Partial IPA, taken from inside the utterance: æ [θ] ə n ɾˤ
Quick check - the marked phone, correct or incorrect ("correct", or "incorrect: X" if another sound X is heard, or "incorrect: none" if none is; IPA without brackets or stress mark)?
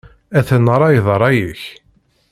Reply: correct